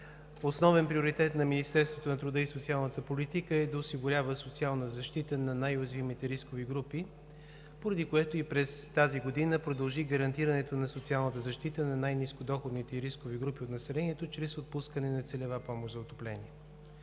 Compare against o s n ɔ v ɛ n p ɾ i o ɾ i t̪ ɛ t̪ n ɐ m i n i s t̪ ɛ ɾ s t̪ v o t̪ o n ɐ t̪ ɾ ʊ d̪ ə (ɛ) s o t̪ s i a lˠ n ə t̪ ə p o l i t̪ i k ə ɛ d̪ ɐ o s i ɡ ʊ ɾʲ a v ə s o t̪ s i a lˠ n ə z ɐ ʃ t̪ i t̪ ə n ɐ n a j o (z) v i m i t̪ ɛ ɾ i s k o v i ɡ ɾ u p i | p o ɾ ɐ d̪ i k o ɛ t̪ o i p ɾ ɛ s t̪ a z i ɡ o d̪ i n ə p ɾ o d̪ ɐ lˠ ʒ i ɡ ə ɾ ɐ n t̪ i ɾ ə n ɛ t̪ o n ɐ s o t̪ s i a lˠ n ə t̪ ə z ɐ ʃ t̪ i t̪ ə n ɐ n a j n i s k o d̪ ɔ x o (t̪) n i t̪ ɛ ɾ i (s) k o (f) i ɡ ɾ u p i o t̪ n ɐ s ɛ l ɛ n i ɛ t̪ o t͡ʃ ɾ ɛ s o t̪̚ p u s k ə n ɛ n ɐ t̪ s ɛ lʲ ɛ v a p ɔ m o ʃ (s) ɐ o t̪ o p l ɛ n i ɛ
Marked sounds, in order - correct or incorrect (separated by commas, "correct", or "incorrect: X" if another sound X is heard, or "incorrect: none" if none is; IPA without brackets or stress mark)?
incorrect: i, correct, incorrect: d̪, correct, incorrect: v, incorrect: z